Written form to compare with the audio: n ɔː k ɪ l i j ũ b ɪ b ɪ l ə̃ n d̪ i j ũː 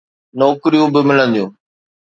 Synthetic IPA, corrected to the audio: n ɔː k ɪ ɾ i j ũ b ɪ m ɪ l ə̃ n d̪ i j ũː